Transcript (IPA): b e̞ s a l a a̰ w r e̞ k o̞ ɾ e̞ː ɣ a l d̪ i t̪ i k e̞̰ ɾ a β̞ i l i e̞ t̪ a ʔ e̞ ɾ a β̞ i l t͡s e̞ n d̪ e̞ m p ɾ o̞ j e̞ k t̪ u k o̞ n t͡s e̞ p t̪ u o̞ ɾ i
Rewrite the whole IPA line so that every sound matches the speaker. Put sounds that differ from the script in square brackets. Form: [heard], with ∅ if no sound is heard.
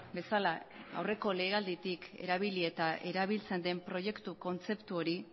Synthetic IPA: b e̞ s a l a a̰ w r e̞ k o̞ [l] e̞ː ɣ a l d̪ i t̪ i k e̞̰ ɾ a β̞ i l i e̞ t̪ a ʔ e̞ ɾ a β̞ i l t͡s e̞ n d̪ e̞ m p ɾ o̞ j e̞ k t̪ u k o̞ n t͡s e̞ p t̪ u o̞ ɾ i